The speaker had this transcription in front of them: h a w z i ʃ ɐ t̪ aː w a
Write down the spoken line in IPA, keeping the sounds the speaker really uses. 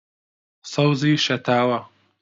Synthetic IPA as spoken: s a w z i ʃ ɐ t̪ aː w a